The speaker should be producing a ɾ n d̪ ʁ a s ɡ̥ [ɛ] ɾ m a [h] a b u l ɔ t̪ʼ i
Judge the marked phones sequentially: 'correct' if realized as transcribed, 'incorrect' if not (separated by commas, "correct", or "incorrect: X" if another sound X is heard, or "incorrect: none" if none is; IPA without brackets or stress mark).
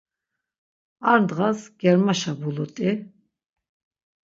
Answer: correct, incorrect: ʃ